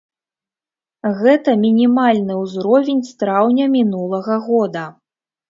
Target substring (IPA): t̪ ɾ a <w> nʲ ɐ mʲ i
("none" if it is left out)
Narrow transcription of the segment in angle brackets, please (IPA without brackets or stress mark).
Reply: w